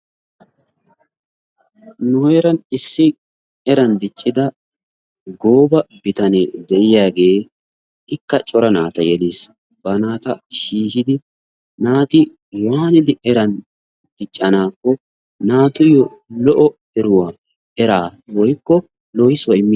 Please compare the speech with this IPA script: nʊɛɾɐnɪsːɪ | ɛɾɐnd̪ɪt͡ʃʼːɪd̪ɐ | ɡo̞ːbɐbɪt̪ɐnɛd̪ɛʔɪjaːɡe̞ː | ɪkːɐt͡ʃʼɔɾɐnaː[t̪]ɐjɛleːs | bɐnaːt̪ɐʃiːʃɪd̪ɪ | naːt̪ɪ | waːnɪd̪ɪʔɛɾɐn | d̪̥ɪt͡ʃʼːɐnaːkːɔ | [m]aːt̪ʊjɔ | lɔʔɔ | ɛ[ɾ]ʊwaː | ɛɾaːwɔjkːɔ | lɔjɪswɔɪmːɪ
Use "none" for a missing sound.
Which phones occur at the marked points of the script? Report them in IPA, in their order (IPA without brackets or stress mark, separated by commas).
t̪, n, ɾ